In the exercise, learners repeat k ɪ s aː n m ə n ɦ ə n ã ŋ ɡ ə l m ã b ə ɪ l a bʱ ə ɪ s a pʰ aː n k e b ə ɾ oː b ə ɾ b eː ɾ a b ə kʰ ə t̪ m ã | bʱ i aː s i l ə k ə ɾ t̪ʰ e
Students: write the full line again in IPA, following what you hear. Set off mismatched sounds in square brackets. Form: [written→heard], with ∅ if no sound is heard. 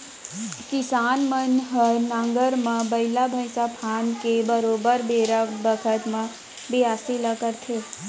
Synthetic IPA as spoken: k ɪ s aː n m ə n ɦ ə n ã ŋ ɡ ə [l→ɾ] m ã b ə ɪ l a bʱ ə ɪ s a pʰ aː n k e b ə ɾ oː b ə ɾ b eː ɾ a b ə kʰ ə t̪ m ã | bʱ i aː s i l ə k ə ɾ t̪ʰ e